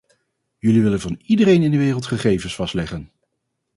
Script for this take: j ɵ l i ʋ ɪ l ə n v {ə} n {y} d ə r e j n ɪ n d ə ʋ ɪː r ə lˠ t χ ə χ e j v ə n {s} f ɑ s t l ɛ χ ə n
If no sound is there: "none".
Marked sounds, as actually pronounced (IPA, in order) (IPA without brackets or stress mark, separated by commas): ɑ, i, s